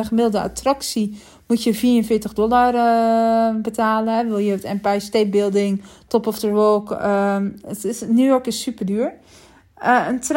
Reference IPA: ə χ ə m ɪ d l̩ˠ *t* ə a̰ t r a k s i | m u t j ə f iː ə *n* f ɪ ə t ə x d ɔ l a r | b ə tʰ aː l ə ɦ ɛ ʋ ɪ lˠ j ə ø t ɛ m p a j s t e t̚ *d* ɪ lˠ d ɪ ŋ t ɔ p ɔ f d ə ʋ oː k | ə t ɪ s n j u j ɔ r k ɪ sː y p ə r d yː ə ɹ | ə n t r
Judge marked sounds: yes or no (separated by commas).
no, yes, no